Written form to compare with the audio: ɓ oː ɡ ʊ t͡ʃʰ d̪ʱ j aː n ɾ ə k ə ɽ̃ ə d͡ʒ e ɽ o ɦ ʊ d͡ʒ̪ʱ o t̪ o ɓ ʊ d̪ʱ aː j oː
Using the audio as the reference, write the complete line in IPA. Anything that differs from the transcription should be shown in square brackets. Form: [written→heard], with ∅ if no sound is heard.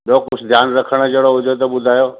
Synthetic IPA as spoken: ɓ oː [ɡ→k] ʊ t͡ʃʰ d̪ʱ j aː n ɾ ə [k→kʰ] ə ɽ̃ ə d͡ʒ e ɽ o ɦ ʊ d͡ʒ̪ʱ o t̪ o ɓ ʊ d̪ʱ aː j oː